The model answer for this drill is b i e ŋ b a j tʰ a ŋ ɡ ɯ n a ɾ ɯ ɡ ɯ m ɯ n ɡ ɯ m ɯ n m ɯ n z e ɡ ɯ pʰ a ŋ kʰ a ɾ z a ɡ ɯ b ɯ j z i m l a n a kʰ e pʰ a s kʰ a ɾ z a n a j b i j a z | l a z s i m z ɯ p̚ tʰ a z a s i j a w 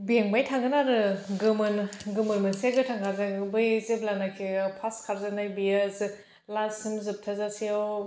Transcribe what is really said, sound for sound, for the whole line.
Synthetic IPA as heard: b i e ŋ b a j tʰ a ŋ ɡ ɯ n a ɾ ɯ ɡ ɯ m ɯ n ɡ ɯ m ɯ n m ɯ n s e ɡ ɯ tʰ a ŋ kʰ a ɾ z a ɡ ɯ b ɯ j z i b l a n a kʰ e pʰ a s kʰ a ɾ z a n a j b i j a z | l a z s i m z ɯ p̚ tʰ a z a s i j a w